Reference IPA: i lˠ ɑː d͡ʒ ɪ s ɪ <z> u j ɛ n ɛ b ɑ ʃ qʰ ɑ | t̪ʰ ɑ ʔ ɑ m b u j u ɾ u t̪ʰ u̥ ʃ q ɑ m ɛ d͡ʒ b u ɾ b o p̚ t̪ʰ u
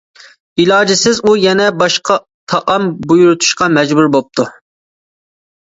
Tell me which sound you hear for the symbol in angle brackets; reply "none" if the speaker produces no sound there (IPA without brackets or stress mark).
z